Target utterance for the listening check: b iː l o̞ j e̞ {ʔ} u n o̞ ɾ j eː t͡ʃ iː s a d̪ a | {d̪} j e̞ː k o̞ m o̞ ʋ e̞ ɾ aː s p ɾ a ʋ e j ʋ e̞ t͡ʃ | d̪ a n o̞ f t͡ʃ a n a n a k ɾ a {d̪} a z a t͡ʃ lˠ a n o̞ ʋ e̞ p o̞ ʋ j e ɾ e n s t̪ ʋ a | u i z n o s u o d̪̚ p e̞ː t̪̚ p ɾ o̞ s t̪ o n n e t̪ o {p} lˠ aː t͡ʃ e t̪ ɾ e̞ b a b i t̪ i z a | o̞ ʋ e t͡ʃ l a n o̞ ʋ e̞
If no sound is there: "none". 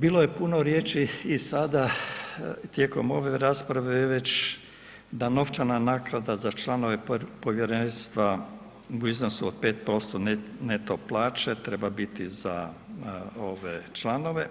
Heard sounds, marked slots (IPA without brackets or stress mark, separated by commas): p, t̪, d̪, p